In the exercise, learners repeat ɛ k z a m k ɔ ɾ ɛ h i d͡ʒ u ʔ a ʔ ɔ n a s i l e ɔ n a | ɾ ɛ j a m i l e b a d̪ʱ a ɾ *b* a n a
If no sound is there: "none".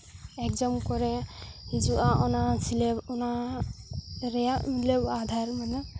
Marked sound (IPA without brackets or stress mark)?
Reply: m